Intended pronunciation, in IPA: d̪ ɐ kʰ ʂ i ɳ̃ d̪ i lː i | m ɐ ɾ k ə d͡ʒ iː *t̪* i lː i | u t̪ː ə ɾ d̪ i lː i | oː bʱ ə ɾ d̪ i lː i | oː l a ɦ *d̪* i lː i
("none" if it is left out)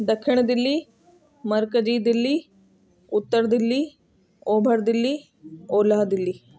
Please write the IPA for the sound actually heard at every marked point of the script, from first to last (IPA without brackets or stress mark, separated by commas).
d̪, d̪